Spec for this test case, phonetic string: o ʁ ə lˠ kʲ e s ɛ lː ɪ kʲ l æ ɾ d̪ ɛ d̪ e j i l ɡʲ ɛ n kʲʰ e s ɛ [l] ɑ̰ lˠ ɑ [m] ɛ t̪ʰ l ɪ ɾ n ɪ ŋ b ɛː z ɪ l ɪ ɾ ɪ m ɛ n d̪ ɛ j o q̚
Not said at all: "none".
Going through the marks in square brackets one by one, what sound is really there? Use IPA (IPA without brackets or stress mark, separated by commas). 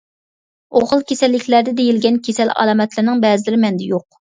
l, m